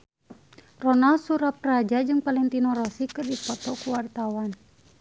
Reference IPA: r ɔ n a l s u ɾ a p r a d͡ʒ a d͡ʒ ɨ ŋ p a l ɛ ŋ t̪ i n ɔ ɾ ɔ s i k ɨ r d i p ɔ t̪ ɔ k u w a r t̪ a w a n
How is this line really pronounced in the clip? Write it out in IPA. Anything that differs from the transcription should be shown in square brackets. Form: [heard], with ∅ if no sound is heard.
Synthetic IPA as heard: r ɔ n a l s u ɾ a p r a d͡ʒ a d͡ʒ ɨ ŋ p a l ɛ ŋ t̪ i n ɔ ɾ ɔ s i k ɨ r d i p ɔ t̪ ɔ k u w a r t̪ a w a n